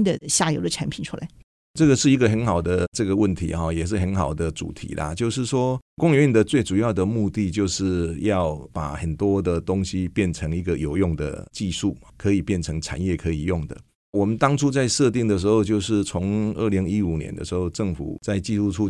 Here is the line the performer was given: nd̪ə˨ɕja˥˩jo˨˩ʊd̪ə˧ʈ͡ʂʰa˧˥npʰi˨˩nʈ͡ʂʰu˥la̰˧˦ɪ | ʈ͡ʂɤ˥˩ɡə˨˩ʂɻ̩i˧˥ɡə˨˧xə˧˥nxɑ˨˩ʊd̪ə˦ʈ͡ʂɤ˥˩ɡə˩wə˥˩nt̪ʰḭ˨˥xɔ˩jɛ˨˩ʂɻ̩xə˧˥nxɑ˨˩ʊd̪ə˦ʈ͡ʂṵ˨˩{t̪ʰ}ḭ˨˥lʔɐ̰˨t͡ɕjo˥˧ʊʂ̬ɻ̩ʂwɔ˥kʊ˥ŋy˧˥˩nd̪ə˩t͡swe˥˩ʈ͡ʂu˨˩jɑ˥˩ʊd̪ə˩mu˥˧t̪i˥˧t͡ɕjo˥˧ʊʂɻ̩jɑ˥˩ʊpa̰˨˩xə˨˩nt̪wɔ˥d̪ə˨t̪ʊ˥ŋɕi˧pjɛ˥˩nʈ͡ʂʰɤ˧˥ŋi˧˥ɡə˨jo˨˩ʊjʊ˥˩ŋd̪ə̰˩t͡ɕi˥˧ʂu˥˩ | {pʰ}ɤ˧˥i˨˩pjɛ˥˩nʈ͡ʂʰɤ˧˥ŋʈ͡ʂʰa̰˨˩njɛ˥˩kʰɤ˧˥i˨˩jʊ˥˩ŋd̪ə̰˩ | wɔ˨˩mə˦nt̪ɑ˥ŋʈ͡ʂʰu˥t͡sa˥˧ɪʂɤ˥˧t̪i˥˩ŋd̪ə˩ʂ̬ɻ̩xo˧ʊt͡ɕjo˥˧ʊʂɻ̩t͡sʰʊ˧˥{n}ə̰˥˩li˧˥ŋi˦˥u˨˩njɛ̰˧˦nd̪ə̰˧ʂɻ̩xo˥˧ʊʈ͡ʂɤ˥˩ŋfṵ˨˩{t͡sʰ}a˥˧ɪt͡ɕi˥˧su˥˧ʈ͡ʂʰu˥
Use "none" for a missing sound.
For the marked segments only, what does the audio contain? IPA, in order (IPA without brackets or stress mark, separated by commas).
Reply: t̪ʰ, kʰ, ŋ, t͡s